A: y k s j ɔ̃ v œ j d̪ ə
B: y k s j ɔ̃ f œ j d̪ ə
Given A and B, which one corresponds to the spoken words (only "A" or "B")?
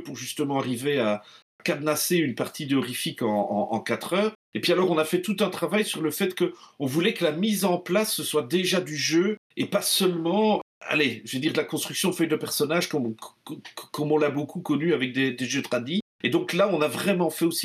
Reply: B